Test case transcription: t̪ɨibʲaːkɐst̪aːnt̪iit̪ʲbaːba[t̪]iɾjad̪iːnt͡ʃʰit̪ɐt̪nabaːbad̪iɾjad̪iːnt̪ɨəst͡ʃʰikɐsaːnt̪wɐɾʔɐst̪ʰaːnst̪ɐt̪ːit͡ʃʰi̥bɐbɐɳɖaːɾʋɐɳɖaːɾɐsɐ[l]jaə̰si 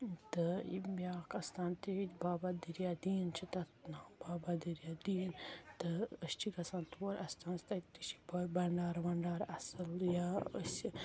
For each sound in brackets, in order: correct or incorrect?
incorrect: d̪, correct

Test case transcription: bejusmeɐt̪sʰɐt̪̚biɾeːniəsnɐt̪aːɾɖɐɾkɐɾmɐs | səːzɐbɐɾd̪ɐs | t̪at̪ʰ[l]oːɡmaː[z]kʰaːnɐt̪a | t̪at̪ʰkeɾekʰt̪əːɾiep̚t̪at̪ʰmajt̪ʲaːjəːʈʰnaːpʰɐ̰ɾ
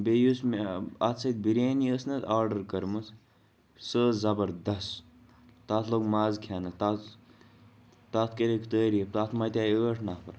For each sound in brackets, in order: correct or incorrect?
correct, correct

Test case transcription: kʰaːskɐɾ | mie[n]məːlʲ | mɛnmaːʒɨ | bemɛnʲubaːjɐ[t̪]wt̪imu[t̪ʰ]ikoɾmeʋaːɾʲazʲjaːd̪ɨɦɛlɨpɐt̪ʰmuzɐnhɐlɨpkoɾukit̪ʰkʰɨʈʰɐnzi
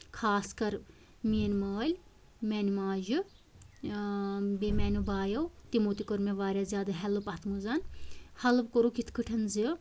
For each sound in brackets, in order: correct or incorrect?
correct, incorrect: none, incorrect: t̪

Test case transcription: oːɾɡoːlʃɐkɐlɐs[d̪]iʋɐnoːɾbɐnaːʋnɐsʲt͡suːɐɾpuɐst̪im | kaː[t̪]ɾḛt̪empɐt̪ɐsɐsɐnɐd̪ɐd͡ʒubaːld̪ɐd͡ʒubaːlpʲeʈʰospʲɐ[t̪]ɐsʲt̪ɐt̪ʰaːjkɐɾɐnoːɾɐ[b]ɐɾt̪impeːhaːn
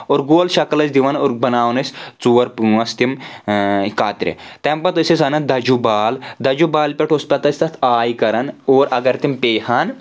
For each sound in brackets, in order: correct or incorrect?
correct, correct, correct, incorrect: ɡ

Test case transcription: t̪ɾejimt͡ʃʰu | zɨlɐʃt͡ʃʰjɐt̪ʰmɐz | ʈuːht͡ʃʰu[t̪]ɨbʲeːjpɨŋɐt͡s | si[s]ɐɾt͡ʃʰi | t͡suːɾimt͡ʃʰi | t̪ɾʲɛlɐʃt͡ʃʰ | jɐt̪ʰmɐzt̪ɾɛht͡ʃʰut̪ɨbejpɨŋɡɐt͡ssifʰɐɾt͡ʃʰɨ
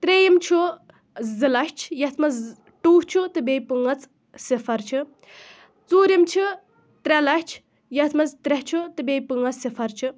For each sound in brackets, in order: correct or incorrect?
correct, incorrect: f

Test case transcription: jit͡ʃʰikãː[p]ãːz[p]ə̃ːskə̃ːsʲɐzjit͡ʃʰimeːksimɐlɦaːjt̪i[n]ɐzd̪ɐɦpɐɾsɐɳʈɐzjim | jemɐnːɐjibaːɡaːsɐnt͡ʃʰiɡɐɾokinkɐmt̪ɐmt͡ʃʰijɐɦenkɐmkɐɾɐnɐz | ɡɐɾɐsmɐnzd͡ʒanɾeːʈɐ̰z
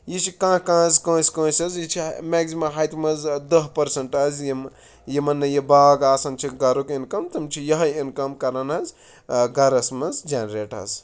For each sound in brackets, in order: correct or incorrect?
incorrect: k, incorrect: k, incorrect: m

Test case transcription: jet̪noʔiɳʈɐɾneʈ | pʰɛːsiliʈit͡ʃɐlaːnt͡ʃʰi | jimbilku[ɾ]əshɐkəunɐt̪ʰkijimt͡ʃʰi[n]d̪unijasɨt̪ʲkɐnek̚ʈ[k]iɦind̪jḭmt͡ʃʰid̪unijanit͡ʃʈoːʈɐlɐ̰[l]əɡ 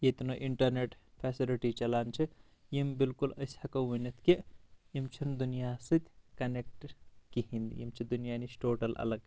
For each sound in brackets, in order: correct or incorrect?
incorrect: l, correct, correct, correct

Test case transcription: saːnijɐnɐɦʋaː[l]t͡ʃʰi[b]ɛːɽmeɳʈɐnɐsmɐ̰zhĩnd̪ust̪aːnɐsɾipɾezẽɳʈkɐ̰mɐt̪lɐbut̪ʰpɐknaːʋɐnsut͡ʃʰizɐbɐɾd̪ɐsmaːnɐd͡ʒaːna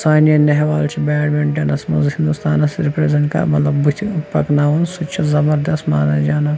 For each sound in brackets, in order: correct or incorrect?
correct, correct

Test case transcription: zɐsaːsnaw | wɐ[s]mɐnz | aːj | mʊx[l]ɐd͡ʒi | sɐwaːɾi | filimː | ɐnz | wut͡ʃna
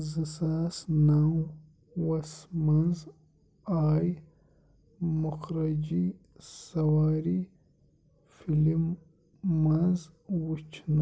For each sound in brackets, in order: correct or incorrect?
correct, incorrect: ɾ

